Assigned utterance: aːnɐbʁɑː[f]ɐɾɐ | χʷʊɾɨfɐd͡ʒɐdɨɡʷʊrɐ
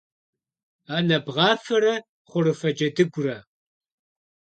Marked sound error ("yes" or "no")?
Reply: no